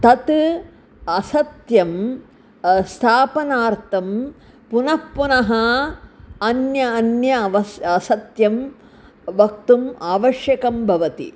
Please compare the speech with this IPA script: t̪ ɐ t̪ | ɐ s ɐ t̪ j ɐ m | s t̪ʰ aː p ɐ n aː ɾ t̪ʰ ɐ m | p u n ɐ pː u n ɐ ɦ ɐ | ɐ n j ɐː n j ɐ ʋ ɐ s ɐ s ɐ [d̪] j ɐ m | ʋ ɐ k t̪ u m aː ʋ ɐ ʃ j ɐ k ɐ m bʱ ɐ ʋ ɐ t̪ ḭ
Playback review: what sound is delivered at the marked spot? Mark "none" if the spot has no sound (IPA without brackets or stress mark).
t̪